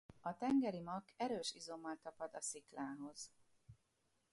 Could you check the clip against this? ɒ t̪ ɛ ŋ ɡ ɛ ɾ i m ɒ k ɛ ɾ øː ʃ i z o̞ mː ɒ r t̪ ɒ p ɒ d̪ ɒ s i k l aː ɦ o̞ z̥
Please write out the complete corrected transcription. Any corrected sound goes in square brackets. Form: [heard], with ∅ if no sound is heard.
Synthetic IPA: ɒ t̪ ɛ ŋ ɡ ɛ ɾ i m ɒ k ɛ ɾ øː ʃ i z o̞ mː ɒ [l] t̪ ɒ p ɒ d̪ ɒ s i k l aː ɦ o̞ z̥